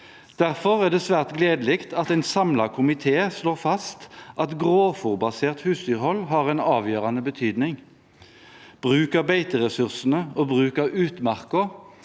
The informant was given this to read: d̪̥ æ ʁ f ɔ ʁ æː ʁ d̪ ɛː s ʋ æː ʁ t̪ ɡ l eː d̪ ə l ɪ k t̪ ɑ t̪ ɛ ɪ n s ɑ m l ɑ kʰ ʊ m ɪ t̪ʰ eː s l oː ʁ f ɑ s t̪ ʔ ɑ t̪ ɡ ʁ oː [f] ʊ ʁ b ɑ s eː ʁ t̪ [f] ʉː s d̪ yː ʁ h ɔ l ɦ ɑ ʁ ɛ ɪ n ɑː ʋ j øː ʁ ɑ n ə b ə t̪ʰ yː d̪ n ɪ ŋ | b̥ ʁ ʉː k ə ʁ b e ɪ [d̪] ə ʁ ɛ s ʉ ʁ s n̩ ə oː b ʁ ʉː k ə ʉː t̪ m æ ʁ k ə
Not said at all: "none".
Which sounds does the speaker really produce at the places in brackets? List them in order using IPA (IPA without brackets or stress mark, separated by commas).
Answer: f, h, t̪